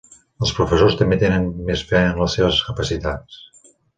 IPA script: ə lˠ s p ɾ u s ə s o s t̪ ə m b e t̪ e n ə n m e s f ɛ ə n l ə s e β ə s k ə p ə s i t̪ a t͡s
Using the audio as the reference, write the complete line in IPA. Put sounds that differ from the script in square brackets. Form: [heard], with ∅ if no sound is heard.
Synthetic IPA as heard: ə lˠ s p ɾ u [f] ə s o s t̪ ə m b e t̪ e n ə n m e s f ɛ ə n l ə s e β ə s k ə p ə s i t̪ a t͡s